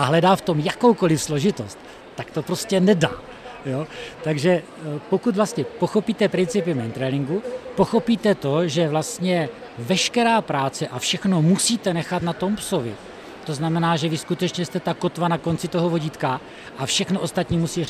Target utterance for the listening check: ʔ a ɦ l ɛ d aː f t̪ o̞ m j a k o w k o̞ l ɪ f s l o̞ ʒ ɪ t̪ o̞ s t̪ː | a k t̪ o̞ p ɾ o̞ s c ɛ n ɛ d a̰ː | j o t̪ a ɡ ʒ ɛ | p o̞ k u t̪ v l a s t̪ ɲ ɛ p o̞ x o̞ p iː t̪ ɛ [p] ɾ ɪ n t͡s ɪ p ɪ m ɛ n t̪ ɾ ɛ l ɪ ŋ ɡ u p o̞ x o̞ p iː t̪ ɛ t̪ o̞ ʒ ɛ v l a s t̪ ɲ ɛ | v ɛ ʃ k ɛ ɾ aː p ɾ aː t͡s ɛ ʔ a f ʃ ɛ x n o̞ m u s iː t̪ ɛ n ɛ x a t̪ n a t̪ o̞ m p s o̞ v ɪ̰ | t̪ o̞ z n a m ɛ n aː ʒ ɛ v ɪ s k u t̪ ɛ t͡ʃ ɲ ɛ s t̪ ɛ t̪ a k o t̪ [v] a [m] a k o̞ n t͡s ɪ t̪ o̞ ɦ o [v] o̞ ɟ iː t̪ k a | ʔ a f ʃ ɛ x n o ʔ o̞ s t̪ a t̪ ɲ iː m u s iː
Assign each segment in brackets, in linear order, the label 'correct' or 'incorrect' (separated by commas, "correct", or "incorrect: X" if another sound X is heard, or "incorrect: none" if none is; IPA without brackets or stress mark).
correct, correct, incorrect: n, correct